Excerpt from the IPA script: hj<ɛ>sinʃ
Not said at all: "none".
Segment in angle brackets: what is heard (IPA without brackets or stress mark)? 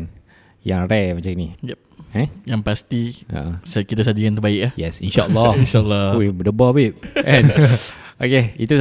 ɛ